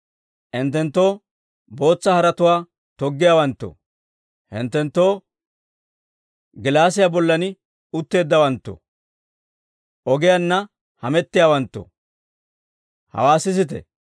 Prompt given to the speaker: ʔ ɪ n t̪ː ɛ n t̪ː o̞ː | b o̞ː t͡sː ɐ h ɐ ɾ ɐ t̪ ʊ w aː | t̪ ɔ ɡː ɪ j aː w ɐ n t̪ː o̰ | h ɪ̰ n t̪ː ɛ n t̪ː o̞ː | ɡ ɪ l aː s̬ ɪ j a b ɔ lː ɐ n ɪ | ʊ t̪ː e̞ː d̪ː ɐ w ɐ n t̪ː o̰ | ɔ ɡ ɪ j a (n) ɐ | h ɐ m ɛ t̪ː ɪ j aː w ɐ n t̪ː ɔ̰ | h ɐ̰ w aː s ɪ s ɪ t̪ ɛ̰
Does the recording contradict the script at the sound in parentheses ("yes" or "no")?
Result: yes